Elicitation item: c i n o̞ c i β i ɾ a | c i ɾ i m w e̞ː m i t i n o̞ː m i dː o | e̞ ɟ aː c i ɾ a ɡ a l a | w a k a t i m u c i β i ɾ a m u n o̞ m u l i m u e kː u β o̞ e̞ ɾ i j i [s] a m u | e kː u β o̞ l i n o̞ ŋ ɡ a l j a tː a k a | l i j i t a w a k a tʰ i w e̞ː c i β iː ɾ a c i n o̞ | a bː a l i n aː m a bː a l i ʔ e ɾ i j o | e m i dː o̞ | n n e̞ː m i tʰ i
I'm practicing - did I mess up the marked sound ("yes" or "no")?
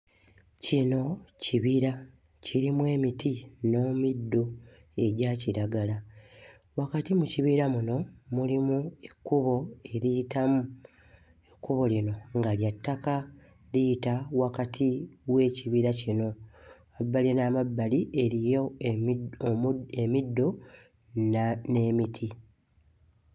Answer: yes